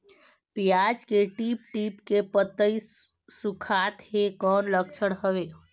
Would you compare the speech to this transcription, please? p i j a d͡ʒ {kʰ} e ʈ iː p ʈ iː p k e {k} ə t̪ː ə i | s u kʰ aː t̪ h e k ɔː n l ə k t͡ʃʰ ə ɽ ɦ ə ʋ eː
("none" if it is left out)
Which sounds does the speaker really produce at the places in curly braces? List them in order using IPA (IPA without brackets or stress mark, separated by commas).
k, p